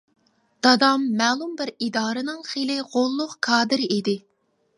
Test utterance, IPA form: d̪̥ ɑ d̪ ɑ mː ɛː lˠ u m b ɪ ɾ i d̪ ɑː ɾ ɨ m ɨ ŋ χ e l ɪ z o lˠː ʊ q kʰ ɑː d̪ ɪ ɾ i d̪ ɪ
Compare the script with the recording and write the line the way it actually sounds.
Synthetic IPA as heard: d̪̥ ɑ d̪ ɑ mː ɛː lˠ u m b ɪ ɾ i d̪ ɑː ɾ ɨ n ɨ ŋ χ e l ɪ ʁ o lˠː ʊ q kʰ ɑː d̪ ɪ ɾ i d̪ ɪ

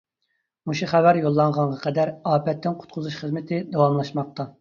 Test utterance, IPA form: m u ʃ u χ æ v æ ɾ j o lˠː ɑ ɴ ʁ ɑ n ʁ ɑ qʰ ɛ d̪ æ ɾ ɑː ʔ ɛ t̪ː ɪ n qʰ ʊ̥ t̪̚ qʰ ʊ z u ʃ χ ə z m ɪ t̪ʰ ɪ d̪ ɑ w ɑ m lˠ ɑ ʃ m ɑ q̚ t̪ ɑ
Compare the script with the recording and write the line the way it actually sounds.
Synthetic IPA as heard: m u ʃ u χ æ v æ ɾ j o lˠː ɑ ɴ ʁ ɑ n ʁ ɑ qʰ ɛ d̪ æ ɾ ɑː p ɛ t̪ː ɪ n qʰ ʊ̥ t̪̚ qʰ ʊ z u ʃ χ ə z m ɪ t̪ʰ ɪ d̪ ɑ w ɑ m lˠ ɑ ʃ m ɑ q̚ t̪ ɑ

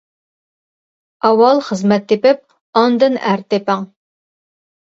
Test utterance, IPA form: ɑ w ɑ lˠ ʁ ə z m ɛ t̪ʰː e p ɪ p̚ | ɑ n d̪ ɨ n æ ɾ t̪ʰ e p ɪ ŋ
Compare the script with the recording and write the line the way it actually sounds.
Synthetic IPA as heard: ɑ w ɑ lˠ χ ə z m ɛ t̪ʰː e p ɪ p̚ | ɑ n d̪ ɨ n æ ɾ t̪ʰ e p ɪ ŋ

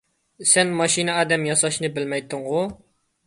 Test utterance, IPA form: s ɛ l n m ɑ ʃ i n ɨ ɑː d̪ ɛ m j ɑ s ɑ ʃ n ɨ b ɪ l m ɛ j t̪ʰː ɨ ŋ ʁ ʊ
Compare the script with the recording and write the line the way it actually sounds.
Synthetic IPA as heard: s ɛ n m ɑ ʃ i n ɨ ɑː d̪ ɛ m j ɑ s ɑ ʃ n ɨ b ɪ l m ɛ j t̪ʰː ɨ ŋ ʁ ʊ

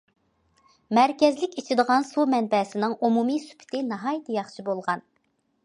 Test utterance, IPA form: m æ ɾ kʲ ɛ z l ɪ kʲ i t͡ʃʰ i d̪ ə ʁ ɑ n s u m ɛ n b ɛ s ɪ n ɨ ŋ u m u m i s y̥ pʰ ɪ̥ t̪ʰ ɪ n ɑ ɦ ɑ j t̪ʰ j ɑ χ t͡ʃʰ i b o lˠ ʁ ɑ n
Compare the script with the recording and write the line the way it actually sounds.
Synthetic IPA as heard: m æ ɾ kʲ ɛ z l ɪ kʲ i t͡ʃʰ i d̪ ə ʁ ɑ n s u m ɛ n b ɛ s ɪ n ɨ ŋ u m u m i s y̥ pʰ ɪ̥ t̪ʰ ɪ n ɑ ɦ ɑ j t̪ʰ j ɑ χ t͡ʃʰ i b o lˠ ʁ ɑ n

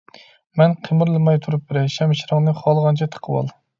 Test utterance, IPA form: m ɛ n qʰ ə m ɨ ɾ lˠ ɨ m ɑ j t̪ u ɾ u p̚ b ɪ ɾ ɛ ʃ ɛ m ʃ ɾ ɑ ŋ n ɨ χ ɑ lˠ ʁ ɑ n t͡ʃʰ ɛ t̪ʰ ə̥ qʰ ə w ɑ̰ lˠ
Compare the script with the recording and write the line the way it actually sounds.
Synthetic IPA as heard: m ɛ n qʰ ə m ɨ ɾ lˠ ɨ m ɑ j t̪ʰ u ɾ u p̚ b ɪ ɾ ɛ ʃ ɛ m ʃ ɾ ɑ ŋ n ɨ χ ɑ lˠ ʁ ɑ n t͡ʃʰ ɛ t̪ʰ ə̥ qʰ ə w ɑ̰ lˠ

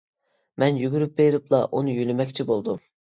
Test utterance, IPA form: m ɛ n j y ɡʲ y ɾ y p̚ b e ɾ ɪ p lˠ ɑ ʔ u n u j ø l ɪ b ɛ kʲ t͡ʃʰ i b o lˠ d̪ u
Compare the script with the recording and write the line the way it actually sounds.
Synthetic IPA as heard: m ɛ n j y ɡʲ y ɾ y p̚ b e ɾ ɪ p lˠ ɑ ʔ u n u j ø l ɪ m ɛ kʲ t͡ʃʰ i b o lˠ d̪ u

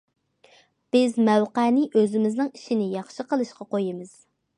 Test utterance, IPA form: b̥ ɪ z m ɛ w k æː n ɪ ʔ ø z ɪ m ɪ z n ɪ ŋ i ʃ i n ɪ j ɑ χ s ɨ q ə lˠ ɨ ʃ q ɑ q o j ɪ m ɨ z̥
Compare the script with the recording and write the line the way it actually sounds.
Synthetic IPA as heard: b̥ ɪ z m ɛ w q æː n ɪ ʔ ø z ɪ m ɪ z n ɪ ŋ i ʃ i n ɪ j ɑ χ ʃ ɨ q ə lˠ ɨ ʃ q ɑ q o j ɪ m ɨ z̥

